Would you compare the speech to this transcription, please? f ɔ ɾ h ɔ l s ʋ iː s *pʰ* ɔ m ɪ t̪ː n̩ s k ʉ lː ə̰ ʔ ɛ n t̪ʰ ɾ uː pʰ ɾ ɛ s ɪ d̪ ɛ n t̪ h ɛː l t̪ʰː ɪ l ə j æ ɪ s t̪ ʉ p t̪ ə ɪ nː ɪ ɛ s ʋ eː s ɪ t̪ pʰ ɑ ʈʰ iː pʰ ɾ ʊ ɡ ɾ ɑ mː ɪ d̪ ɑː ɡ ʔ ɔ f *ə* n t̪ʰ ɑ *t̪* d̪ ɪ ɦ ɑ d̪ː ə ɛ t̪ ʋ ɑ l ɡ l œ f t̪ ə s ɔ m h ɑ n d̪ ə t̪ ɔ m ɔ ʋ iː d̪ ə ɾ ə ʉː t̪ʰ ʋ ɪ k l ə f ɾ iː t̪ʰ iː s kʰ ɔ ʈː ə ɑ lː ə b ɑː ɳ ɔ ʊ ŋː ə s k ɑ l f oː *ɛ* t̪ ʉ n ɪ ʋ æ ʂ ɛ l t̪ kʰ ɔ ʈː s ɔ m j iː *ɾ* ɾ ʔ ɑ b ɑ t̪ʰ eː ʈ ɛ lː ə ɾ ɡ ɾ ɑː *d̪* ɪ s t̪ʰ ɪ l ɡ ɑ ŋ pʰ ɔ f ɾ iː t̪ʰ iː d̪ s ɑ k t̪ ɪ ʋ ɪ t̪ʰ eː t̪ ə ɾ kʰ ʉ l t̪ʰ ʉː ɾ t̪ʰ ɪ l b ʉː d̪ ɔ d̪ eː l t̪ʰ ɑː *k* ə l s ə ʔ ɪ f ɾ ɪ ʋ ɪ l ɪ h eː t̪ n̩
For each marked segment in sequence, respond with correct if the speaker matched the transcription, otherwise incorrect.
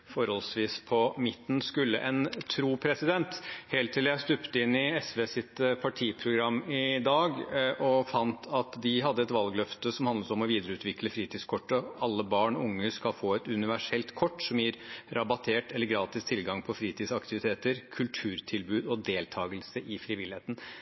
correct, incorrect, correct, correct, correct, incorrect, incorrect

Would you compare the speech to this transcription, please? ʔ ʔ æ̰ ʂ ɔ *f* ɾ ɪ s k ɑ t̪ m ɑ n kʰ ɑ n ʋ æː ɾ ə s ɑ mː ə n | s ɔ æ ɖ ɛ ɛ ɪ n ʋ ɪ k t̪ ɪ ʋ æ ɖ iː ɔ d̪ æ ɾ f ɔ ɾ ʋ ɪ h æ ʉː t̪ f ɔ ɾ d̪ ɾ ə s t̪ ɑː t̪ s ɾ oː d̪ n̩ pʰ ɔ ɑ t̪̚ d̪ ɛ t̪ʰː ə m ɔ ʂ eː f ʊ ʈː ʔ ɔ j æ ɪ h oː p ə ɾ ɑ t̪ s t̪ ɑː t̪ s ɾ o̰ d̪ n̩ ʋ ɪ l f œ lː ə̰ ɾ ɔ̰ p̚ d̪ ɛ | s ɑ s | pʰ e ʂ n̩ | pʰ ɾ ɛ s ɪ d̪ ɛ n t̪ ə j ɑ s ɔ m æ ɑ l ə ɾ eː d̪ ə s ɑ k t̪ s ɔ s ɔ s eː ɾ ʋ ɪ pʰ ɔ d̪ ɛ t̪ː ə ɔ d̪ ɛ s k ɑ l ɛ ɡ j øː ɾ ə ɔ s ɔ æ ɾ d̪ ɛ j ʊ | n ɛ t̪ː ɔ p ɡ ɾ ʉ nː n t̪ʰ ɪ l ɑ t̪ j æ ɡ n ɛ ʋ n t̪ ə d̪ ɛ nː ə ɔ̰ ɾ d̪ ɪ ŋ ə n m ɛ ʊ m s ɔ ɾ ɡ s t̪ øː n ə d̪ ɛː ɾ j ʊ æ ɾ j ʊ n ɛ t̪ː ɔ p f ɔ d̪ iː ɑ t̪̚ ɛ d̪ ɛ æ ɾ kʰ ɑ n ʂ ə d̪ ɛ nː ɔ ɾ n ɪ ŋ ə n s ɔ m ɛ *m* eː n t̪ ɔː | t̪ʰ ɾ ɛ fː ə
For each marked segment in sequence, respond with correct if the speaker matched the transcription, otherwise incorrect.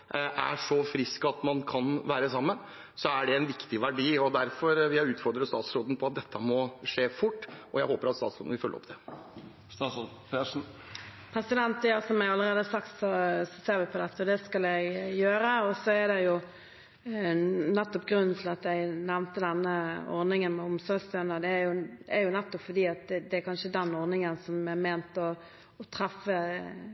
correct, correct

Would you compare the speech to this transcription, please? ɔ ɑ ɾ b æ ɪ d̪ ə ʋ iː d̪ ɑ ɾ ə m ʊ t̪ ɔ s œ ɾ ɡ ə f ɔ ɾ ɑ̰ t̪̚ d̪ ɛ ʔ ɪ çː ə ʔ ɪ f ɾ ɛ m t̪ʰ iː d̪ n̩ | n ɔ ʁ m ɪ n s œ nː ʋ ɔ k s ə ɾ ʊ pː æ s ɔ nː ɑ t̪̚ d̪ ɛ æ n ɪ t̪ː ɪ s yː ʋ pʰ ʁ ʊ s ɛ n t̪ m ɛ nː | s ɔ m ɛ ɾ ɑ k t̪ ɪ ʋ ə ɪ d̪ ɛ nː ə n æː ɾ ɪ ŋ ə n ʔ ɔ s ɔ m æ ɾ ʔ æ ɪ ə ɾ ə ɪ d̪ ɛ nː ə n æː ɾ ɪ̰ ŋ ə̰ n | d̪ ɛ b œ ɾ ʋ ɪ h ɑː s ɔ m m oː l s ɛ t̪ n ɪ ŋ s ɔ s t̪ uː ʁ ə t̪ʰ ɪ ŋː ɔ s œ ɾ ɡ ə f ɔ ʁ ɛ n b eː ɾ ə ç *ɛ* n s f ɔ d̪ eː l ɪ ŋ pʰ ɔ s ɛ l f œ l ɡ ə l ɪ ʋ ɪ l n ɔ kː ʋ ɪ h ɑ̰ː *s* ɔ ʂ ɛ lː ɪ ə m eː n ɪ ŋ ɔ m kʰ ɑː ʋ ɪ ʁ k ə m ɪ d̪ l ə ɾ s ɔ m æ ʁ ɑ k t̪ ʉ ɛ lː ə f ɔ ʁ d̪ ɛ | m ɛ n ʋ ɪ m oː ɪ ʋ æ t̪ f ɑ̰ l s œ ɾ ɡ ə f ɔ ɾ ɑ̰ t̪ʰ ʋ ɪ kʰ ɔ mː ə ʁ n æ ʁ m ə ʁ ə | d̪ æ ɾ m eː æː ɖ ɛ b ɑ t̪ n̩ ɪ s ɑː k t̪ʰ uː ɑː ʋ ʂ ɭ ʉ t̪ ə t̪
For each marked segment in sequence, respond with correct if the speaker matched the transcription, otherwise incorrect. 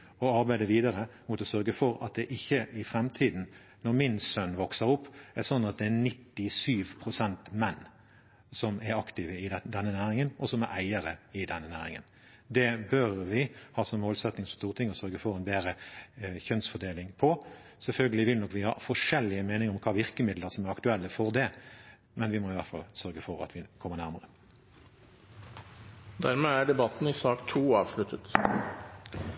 incorrect, incorrect

